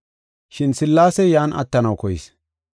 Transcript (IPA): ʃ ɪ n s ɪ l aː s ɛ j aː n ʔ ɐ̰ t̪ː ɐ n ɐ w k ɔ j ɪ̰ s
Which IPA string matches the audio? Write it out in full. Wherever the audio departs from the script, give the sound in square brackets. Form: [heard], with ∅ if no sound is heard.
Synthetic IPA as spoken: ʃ ɪ n s ɪ [lː] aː s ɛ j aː n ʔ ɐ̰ t̪ː ɐ n ɐ w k ɔ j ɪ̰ s